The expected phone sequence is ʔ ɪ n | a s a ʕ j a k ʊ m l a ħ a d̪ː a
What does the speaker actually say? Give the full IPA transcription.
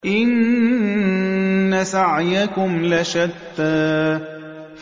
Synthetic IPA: ʔ ɪ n | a s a ʕ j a k ʊ m l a ʃ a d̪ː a

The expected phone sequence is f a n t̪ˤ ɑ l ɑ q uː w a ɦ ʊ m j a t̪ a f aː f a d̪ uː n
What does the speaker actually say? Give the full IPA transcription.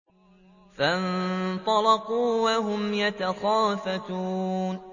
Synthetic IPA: f a n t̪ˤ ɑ l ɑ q uː w a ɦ ʊ m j a t̪ a x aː f a t̪ uː n

